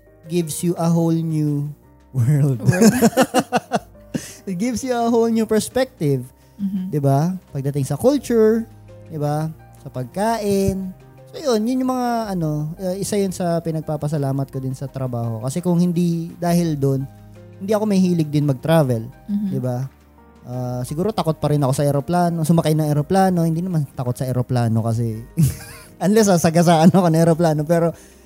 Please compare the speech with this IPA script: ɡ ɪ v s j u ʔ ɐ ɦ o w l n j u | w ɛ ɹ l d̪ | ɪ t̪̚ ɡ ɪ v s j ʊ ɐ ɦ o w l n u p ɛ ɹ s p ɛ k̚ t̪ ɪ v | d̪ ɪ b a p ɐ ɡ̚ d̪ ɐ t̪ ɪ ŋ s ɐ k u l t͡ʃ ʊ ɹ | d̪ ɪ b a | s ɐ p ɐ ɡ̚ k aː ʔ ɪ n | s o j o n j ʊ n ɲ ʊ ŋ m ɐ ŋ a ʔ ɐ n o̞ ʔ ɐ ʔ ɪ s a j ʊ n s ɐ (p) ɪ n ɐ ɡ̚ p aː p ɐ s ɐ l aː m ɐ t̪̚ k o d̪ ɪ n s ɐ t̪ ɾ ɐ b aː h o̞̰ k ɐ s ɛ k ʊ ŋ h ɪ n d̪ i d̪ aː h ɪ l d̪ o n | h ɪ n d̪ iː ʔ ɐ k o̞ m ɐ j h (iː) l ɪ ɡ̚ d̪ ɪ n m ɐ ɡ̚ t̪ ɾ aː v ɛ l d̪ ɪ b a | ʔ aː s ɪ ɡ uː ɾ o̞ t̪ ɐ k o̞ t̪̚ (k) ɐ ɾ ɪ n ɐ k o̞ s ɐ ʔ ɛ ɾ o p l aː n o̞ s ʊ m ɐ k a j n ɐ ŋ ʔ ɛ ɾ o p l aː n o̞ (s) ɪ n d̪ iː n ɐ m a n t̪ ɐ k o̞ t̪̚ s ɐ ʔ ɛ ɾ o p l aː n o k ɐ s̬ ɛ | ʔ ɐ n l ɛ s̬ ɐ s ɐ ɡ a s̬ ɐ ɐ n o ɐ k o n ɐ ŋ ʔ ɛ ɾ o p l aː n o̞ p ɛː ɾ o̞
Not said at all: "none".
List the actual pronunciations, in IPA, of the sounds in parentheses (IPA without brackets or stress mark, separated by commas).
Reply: p, iː, p, h